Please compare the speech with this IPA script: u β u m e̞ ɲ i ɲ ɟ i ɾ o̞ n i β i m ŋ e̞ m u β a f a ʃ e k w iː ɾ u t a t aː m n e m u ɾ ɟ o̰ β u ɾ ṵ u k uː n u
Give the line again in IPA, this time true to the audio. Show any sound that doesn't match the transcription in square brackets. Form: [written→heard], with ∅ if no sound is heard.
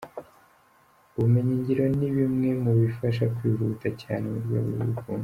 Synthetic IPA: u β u m e̞ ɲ i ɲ ɟ i ɾ o̞ n i β i m ŋ e̞ m u β [a→i] f a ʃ [e→a] k w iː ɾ u t a [t→c] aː [m→∅] n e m u ɾ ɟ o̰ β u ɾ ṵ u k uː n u